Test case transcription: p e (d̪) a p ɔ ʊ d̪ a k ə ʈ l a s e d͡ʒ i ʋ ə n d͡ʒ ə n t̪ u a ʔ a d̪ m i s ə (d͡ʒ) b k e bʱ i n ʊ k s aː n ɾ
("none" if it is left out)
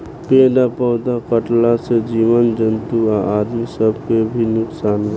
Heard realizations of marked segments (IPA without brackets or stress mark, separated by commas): d̪, none